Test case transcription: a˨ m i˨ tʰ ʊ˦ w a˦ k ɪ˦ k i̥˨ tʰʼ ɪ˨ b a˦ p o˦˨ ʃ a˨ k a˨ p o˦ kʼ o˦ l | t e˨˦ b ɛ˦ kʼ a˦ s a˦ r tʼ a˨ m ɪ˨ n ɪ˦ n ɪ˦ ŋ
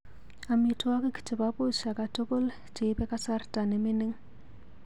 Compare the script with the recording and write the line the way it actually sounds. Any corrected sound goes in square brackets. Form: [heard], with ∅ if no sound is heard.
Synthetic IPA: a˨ m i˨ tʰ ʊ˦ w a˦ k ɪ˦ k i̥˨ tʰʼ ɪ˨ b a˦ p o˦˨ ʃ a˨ k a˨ [t] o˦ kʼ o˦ l | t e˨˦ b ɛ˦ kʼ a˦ s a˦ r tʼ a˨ [n] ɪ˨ [m] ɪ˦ n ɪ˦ ŋ